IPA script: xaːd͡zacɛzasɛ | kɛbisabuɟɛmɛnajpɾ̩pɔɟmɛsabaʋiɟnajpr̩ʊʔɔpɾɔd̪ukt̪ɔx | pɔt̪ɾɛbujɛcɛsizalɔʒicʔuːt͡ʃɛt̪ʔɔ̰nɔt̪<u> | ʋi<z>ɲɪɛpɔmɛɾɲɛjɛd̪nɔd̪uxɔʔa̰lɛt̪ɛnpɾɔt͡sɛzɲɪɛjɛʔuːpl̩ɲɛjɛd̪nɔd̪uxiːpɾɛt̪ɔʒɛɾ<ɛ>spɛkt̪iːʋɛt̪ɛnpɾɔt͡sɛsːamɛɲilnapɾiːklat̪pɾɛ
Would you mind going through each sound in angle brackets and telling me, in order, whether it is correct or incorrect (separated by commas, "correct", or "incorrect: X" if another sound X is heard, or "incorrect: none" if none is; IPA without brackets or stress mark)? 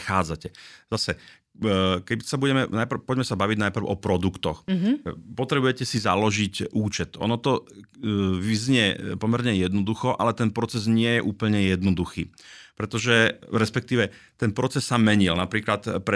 incorrect: ɔ, correct, correct